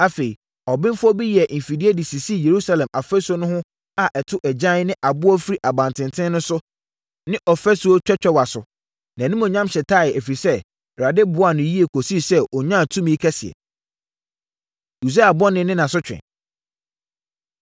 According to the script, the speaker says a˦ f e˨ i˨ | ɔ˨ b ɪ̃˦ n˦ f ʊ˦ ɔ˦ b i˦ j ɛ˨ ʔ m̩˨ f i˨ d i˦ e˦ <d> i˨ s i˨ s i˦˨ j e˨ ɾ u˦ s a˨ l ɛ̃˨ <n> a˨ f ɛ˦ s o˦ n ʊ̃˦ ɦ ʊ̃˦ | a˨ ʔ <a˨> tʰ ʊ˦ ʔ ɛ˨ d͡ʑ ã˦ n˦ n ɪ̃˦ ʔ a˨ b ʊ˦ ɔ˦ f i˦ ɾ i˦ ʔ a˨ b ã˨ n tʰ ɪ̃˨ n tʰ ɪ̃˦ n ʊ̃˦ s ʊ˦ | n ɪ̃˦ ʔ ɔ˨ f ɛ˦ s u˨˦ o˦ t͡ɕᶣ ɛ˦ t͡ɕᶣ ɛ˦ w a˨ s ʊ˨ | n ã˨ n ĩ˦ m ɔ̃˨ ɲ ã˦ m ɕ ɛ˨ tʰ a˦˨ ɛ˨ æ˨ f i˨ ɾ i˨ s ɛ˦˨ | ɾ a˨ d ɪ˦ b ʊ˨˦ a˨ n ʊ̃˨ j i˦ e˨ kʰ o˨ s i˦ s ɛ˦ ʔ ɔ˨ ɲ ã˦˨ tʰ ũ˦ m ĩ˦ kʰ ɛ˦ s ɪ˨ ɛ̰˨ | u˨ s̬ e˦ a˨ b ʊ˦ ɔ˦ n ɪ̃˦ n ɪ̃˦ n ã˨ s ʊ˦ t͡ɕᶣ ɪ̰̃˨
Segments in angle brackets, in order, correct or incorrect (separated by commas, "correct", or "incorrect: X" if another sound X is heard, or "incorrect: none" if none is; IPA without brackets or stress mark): correct, incorrect: m, incorrect: ɛ˨